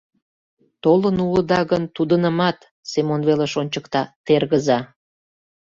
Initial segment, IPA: t̪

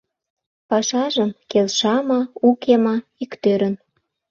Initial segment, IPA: p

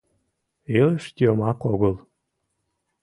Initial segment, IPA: e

